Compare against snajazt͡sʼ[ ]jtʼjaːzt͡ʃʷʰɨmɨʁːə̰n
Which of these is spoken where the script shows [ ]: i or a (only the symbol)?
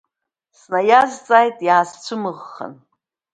a